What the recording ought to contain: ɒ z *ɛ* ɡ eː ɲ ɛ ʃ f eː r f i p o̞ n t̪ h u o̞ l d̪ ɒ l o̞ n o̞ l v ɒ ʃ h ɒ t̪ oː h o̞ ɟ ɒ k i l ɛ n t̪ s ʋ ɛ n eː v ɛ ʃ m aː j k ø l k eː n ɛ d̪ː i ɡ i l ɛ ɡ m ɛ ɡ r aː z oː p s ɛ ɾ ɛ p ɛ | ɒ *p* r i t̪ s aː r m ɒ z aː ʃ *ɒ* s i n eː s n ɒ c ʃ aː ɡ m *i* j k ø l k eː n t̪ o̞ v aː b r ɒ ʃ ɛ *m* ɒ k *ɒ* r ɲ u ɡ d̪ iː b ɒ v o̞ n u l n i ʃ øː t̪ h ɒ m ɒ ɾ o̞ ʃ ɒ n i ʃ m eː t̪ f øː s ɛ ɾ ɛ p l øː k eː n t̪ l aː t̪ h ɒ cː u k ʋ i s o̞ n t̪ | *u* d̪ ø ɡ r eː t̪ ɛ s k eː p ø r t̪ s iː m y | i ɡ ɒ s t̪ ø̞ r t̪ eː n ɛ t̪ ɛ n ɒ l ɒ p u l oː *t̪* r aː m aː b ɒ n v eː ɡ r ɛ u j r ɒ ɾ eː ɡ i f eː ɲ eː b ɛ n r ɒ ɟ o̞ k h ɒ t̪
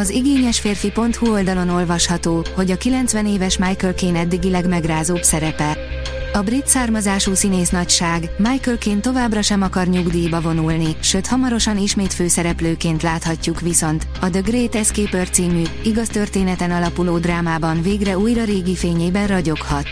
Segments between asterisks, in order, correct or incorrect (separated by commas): incorrect, incorrect, incorrect, incorrect, correct, correct, incorrect, incorrect